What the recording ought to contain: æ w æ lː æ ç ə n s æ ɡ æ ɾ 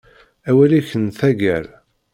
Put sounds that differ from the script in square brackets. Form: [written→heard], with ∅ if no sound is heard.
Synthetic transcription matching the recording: æ w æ [lː→l] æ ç ə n [s→θ] æ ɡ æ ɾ